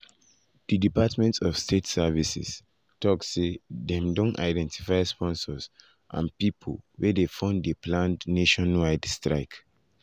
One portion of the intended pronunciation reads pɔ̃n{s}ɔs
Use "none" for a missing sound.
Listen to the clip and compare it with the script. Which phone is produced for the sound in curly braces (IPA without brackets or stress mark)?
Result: s